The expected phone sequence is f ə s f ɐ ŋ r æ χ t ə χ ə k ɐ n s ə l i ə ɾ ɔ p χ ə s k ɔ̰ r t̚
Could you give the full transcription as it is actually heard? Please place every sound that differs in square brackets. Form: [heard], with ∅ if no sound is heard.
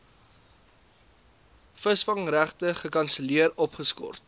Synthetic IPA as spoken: f ə s f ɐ ŋ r æ χ t ə χ ə k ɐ n s ə l i ə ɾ ɔ p χ ə s k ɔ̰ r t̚